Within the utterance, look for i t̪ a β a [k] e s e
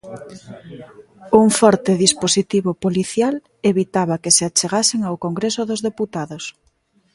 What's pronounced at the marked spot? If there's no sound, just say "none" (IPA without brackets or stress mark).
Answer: k